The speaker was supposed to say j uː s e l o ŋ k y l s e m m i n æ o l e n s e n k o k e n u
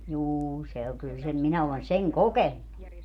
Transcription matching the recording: j uː s e o ŋ k y l s e m m i n æ o l e n s e ŋ k o k e nː u